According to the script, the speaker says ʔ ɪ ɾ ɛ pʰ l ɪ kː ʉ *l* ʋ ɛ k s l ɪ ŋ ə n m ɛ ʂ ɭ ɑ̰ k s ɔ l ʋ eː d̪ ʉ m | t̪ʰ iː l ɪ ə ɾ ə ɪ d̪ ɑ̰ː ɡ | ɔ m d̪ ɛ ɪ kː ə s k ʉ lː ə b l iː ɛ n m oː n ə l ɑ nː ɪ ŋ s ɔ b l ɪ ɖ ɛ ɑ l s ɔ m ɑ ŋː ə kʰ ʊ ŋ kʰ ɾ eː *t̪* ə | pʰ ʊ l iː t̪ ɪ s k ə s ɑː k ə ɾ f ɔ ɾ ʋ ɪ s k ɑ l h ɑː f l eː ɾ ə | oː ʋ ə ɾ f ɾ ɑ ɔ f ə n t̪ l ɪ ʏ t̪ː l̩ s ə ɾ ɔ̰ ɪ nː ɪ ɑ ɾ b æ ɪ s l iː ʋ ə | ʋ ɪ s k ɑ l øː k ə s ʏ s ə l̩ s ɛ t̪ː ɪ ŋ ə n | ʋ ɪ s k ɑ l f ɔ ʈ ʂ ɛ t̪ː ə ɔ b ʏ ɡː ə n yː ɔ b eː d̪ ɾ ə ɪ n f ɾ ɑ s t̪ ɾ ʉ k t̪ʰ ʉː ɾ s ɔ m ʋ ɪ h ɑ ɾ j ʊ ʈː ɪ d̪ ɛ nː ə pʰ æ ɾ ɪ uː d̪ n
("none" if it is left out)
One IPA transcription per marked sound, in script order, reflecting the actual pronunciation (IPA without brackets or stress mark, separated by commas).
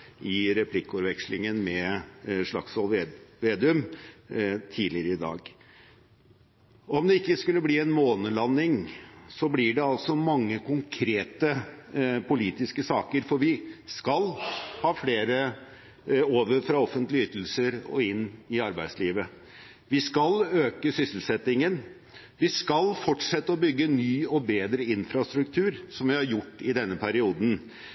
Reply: ɾ, t̪